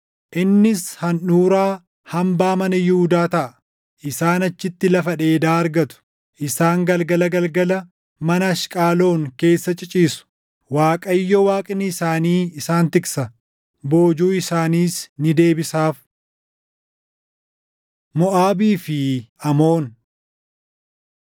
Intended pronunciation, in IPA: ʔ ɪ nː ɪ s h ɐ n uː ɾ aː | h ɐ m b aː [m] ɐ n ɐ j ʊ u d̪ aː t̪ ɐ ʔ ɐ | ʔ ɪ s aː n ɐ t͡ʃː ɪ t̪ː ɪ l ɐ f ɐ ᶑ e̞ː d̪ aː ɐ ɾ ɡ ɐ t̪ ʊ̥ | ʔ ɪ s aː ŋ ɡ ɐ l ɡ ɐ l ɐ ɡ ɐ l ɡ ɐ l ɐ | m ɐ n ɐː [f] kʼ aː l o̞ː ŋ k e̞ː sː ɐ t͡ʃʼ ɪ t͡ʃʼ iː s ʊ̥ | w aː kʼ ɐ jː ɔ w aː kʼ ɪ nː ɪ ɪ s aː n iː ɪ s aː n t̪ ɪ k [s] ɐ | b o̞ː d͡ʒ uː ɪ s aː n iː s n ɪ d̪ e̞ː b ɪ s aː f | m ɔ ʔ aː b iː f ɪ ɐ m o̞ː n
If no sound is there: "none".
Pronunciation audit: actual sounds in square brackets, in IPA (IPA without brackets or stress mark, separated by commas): m, ʃ, s